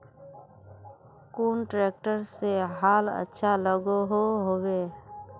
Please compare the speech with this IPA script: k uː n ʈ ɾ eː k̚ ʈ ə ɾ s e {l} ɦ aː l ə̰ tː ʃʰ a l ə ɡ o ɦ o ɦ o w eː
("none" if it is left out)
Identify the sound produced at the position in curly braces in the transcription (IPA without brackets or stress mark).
none